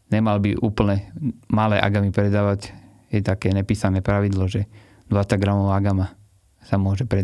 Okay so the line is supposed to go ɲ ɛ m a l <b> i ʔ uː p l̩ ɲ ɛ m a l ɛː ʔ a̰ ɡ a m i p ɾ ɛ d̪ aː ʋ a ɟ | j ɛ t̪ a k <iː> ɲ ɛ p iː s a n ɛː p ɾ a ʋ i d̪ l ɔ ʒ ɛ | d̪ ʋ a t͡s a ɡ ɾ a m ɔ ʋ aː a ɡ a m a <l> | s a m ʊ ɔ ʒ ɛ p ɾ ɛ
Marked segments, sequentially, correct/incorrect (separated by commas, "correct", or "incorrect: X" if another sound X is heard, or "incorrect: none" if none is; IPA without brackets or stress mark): correct, incorrect: ɛː, incorrect: none